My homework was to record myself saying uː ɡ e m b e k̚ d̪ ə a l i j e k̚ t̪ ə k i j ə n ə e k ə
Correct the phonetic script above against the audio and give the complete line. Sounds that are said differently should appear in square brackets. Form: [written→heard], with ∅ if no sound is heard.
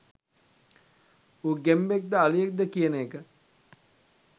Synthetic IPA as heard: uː ɡ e m b e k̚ d̪ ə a l i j e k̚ [t̪→d̪] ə k i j ə n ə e k ə